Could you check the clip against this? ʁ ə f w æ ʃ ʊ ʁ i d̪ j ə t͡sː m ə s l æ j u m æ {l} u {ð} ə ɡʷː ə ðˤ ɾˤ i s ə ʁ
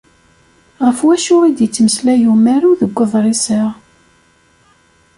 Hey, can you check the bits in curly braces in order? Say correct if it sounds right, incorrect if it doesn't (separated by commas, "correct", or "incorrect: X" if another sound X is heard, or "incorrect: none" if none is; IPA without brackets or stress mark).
incorrect: ɾ, correct